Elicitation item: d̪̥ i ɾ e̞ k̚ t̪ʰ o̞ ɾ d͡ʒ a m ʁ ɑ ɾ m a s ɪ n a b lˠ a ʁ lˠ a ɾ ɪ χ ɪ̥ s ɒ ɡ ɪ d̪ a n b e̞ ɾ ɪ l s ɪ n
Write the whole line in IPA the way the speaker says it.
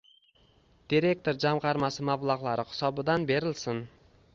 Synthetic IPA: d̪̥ i ɾ e̞ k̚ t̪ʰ o̞ ɾ d͡ʒ a m ʁ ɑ ɾ m a s ɪ m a b lˠ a ʁ lˠ a ɾ ɪ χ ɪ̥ s ɒ b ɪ d̪ a n b e̞ ɾ ɪ l s ɪ n